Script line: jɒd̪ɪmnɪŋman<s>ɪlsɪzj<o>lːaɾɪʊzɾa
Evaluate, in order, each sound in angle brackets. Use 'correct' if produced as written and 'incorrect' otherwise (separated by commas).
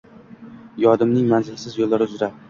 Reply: incorrect, correct